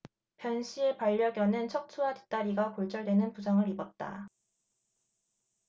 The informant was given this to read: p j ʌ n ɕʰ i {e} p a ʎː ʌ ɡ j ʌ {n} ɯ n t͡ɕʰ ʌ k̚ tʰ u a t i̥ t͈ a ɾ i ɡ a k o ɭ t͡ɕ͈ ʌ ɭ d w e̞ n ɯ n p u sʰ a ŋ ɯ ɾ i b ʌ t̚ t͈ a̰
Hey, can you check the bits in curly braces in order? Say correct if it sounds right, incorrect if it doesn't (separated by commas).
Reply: correct, correct